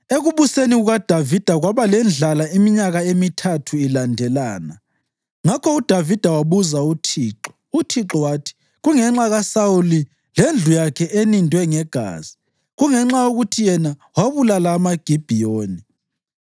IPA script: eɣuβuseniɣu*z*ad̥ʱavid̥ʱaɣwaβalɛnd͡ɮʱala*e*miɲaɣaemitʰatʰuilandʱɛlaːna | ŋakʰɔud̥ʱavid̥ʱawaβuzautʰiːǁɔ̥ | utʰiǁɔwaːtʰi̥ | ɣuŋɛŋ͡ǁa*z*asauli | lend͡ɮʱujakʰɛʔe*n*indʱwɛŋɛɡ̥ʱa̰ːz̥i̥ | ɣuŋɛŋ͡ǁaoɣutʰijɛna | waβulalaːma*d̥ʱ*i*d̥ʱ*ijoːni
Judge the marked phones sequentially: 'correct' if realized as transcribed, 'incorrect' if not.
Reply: incorrect: ɣ, incorrect: i, incorrect: ɣ, correct, incorrect: ɡ̥ʱ, incorrect: b̥ʱ

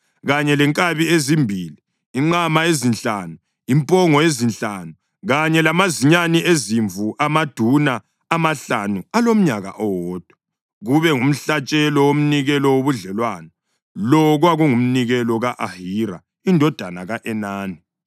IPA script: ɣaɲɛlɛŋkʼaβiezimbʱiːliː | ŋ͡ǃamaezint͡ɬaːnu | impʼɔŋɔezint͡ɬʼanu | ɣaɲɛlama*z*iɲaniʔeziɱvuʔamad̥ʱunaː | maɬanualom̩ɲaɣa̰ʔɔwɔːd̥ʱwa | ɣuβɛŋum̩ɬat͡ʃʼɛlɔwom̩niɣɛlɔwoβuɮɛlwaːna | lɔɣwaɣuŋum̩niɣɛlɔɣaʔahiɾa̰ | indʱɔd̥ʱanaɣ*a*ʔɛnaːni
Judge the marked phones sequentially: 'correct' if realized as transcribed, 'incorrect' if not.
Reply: correct, correct

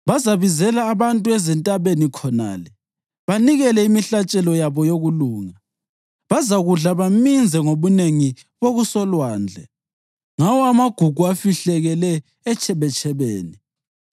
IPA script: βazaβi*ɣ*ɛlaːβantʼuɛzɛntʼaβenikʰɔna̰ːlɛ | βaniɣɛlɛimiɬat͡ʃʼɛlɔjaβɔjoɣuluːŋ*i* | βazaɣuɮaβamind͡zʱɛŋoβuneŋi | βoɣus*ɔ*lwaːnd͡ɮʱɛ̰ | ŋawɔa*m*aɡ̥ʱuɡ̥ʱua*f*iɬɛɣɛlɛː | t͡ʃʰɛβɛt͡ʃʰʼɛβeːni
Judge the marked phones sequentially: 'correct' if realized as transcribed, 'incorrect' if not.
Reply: incorrect: z, incorrect: a, correct, correct, correct

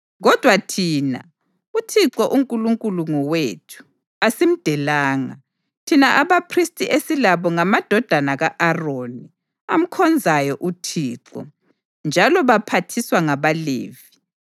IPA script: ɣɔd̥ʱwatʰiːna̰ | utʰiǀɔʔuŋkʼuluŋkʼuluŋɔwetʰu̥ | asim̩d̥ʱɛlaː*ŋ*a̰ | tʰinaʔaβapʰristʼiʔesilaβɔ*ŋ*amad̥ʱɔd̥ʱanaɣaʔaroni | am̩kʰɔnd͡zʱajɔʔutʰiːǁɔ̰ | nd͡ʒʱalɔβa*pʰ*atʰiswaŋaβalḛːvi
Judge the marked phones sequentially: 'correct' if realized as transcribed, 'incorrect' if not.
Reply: correct, correct, correct

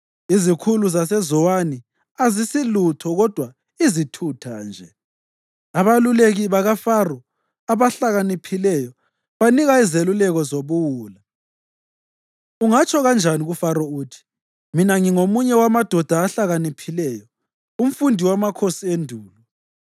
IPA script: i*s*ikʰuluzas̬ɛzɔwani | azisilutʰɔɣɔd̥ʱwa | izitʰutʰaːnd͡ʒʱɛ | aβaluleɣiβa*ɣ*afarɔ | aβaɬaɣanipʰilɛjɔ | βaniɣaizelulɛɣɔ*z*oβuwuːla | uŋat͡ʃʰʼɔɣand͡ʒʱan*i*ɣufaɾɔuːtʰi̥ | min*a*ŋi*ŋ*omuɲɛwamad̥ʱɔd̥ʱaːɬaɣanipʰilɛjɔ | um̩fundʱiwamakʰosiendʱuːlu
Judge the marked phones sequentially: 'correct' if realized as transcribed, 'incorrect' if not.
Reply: incorrect: z, correct, correct, correct, correct, correct

